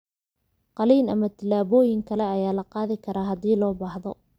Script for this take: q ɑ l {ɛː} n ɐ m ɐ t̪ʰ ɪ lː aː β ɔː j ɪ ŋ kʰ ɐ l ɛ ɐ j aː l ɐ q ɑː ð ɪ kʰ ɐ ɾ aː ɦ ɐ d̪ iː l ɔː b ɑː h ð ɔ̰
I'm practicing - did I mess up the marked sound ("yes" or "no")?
yes